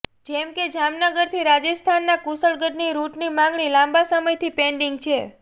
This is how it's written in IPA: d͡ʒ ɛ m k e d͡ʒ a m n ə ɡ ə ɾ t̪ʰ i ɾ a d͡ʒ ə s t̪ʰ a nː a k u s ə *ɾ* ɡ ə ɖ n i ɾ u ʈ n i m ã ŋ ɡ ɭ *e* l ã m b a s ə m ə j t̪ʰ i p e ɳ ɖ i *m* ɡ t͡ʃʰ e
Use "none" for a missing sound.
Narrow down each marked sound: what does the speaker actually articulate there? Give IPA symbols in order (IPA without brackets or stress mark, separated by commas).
ɭ, i, ŋ